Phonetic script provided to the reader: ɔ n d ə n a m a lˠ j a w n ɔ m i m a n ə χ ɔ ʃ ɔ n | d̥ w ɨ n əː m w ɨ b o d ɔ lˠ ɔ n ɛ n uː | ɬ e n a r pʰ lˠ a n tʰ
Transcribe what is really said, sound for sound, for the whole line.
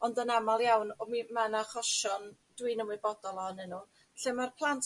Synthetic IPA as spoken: ɔ n d ə n a m a lˠ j a w n ɔ m i m a n a χ ɔ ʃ ɔ n | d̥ w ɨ n ə m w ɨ b ɔ d ɔ lˠ ɔ n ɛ n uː | ɬ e m a r pʰ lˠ a n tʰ